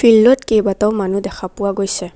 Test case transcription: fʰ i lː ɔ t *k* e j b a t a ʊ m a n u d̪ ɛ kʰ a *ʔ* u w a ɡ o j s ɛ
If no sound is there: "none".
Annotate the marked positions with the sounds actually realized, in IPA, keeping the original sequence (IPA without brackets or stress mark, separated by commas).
k, p